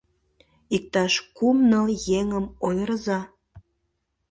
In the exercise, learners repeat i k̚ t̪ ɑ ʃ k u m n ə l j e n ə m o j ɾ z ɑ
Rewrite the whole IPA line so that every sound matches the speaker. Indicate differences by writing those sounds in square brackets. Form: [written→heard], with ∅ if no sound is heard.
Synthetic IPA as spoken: i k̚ t̪ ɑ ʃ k u m n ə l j e [n→ŋ] ə m o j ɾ z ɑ